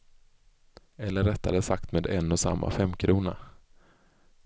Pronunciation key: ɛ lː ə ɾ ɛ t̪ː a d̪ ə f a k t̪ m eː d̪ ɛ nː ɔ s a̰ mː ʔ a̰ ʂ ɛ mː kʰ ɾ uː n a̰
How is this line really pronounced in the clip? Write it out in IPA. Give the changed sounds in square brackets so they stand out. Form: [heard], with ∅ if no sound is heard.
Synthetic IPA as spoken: ɛ lː ə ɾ ɛ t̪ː a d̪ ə [s] a k t̪ m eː d̪ ɛ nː ɔ s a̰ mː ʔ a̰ [f] ɛ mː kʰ ɾ uː n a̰